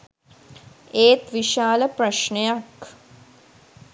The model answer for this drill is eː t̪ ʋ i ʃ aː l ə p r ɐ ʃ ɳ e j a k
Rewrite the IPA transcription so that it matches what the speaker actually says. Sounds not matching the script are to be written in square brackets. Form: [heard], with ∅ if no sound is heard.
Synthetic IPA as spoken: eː t̪ ʋ i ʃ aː l ə p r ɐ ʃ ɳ e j a k